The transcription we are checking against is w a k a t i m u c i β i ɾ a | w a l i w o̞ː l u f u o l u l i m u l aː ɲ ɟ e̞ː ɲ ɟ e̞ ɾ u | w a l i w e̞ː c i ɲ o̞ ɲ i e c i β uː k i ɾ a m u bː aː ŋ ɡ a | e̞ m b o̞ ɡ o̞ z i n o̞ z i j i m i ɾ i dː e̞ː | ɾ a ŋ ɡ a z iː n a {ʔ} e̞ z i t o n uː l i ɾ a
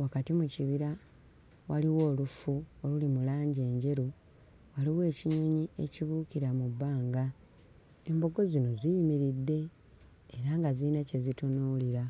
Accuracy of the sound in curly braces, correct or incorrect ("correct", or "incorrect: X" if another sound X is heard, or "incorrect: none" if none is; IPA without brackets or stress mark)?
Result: incorrect: c